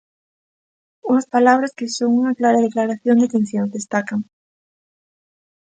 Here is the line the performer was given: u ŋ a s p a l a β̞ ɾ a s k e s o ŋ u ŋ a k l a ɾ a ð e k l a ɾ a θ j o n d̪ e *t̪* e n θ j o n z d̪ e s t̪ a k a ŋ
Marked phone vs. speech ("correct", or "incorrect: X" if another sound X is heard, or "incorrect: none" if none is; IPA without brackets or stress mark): correct